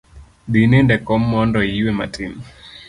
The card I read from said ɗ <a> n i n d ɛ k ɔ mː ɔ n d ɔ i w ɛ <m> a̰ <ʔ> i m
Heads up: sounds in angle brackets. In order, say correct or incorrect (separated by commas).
incorrect, correct, incorrect